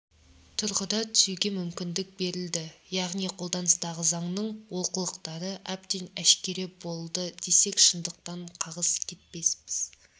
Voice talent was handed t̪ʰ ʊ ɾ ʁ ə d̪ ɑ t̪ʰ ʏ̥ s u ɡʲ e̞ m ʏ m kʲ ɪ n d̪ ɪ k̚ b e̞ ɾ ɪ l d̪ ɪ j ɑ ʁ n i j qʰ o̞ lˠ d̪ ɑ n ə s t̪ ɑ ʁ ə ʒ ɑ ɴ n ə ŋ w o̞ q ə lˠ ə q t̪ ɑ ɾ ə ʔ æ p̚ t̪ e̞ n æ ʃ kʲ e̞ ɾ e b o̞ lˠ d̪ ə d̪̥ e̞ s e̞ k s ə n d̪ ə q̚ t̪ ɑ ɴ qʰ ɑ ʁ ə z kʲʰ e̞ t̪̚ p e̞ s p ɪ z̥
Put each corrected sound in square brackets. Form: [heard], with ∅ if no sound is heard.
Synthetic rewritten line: t̪ʰ ʊ ɾ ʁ ə d̪ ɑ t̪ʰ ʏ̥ s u ɡʲ e̞ m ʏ m kʲ ɪ n d̪ ɪ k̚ b e̞ ɾ ɪ l d̪ ɪ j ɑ ʁ n i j qʰ o̞ lˠ d̪ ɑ n ə s t̪ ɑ ʁ ə [z] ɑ ɴ n ə [ɴ] w o̞ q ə lˠ ə q t̪ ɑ ɾ ə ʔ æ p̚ t̪ e̞ n æ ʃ kʲ e̞ ɾ e b o̞ lˠ d̪ ə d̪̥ e̞ s e̞ k [ʃ] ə n d̪ ə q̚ t̪ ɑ ɴ qʰ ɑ ʁ ə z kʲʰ e̞ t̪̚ p e̞ s p ɪ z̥